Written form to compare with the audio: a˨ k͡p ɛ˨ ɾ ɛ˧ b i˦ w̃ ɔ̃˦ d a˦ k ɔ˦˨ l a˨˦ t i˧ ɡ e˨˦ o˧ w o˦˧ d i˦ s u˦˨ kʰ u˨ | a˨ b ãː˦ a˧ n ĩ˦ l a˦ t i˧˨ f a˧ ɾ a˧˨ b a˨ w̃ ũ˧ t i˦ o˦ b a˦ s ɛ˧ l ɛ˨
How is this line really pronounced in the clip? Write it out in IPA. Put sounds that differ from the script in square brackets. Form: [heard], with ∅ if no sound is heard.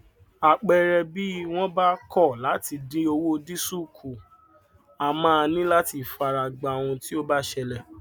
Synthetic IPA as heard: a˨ k͡p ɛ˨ ɾ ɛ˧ b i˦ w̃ ɔ̃˦ [b] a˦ k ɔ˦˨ l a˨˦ t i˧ [d] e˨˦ o˧ w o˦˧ d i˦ s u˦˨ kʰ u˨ | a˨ [m] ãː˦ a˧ n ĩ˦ l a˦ t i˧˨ f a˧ ɾ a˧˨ [ɡ͡b] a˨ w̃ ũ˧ t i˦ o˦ b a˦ [ʃ] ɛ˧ l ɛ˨